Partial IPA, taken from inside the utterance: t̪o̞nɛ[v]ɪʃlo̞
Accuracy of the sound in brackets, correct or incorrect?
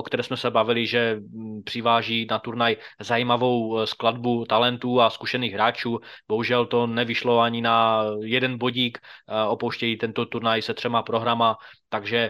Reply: correct